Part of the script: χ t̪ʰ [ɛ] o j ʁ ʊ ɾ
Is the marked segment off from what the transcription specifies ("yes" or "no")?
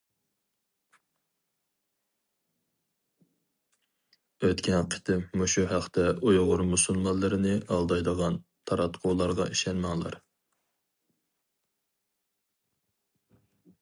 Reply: no